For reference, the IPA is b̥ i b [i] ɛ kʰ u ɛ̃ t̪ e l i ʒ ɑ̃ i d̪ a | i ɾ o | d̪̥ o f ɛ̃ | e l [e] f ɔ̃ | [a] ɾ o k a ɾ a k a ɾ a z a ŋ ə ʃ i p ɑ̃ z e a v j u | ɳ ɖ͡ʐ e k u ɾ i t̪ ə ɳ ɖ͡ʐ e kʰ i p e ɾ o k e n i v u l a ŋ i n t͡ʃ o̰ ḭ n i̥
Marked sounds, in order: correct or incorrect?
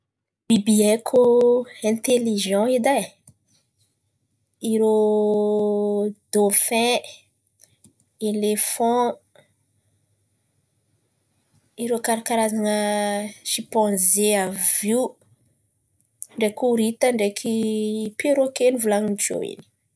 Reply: correct, correct, incorrect: i

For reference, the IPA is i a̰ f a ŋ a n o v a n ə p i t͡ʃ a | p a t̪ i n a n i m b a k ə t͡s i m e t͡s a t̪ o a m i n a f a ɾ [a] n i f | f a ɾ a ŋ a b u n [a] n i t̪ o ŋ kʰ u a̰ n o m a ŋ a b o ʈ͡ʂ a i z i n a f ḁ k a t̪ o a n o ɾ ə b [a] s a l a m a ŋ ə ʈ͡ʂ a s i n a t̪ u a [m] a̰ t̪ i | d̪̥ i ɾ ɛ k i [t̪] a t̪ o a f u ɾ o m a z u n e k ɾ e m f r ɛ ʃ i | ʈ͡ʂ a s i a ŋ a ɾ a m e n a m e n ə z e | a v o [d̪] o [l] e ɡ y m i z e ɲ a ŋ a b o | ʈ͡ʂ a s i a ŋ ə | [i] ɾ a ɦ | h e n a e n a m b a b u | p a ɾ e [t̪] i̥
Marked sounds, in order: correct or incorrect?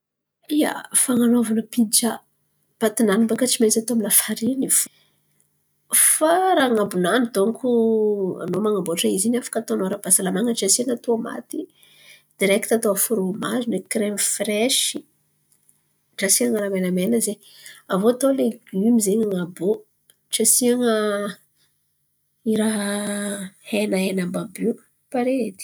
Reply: incorrect: i, correct, correct, correct, correct, incorrect: t̪, correct, correct, incorrect: d̪

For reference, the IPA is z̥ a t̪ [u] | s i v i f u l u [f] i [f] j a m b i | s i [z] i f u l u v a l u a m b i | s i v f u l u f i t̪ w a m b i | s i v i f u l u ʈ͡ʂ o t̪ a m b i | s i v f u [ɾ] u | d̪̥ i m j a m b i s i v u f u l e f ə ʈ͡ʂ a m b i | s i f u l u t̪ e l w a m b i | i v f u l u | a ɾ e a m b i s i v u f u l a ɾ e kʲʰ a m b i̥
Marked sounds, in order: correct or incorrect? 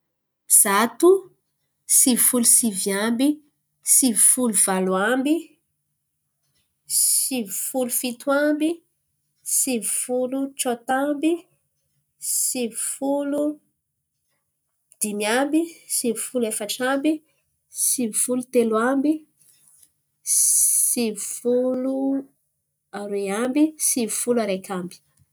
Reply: correct, incorrect: s, incorrect: v, incorrect: v, incorrect: l

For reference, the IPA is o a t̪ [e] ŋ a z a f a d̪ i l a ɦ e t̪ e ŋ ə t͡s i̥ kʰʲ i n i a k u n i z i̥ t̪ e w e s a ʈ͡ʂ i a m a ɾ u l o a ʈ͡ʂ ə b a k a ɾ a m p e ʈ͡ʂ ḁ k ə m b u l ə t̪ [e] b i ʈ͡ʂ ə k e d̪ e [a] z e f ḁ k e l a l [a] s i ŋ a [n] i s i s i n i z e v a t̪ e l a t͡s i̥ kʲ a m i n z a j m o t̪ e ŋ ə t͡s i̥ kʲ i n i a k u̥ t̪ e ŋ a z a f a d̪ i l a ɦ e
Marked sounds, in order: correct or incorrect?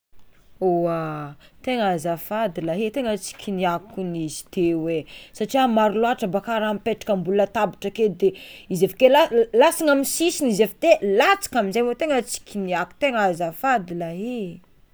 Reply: correct, incorrect: a, incorrect: i, correct, incorrect: m

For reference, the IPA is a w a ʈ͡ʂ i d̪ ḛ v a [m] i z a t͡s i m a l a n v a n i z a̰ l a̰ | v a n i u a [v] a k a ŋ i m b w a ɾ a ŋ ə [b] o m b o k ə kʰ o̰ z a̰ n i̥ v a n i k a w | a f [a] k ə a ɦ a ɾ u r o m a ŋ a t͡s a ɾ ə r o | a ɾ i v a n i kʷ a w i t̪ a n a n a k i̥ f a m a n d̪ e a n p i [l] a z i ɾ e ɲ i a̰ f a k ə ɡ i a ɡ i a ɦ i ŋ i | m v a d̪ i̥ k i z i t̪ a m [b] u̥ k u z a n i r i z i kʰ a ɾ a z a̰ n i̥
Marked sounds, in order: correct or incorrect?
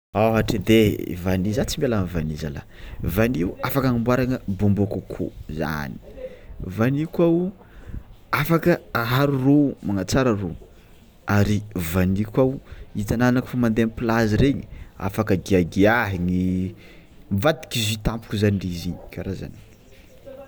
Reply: incorrect: n, incorrect: f, correct, correct, correct, incorrect: p

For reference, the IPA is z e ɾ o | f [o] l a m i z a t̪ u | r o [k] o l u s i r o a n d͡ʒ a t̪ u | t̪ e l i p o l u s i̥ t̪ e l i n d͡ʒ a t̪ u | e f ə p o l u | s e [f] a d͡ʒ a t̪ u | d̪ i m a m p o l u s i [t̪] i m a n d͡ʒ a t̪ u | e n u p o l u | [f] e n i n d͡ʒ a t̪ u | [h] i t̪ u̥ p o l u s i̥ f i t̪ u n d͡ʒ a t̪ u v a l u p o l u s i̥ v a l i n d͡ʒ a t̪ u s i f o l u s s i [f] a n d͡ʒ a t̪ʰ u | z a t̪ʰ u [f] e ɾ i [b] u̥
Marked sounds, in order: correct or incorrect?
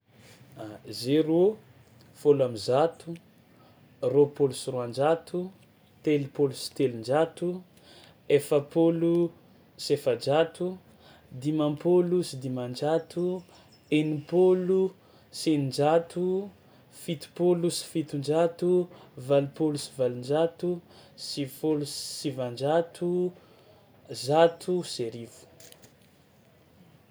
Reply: correct, incorrect: p, correct, incorrect: d̪, incorrect: s, incorrect: f, incorrect: v, incorrect: s, incorrect: v

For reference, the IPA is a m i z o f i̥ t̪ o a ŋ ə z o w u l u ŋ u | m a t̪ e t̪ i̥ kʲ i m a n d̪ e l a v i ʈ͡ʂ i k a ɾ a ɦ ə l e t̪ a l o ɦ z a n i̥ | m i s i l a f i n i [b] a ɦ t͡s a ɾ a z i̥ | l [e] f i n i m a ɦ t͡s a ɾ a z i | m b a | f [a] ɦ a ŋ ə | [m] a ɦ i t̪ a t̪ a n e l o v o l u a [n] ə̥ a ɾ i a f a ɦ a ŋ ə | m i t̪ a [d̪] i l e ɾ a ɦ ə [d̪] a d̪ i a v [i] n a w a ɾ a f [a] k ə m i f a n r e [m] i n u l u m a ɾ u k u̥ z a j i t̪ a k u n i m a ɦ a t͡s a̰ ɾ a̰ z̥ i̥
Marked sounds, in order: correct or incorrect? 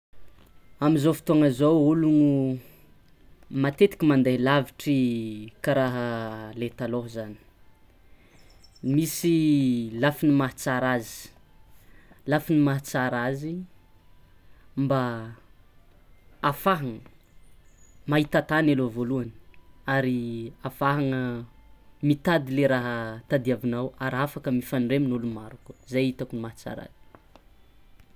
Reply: incorrect: m, incorrect: a, correct, correct, correct, correct, incorrect: t̪, correct, correct, correct

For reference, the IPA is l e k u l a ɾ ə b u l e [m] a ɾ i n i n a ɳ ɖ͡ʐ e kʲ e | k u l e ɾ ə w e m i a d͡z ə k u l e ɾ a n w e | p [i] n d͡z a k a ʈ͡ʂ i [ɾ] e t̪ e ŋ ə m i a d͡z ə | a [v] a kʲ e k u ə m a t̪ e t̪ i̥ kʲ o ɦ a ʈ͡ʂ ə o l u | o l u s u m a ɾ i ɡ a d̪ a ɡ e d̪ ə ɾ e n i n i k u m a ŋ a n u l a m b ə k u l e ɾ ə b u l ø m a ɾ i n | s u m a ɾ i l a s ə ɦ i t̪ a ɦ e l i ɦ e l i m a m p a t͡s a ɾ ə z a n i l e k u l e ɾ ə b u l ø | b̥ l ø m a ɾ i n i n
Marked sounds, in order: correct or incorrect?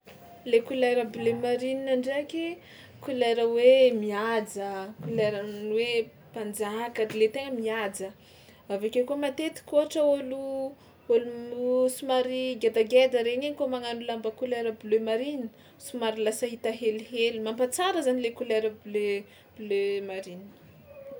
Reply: correct, incorrect: a, incorrect: l, correct

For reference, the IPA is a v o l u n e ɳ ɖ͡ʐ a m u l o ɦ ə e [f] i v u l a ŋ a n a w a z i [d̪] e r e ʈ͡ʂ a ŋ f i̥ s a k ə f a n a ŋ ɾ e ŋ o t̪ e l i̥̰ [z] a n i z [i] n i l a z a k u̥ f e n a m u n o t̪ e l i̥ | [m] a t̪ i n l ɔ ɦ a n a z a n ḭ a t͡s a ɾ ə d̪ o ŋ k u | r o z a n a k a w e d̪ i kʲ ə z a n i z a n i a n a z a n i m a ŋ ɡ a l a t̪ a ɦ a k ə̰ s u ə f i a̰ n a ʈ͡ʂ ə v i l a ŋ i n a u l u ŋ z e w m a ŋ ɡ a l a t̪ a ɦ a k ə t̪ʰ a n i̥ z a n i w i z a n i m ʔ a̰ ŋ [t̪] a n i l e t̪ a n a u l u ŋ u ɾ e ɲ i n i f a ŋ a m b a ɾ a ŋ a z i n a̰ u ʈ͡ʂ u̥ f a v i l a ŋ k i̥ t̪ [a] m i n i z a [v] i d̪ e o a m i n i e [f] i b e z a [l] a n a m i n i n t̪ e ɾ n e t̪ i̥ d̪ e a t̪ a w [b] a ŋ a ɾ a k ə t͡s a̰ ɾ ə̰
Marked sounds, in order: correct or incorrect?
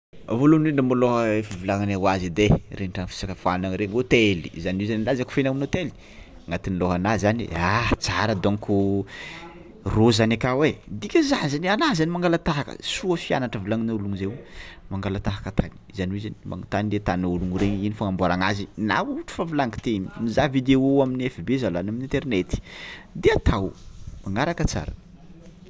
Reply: correct, correct, correct, incorrect: a, incorrect: ŋ, correct, incorrect: e, correct, correct, correct, incorrect: m

